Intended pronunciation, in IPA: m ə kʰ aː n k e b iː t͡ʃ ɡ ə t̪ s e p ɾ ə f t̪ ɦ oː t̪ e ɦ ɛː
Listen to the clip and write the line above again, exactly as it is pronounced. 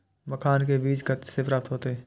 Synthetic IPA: m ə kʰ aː n k e b iː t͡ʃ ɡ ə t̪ s e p ɾ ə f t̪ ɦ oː t̪ e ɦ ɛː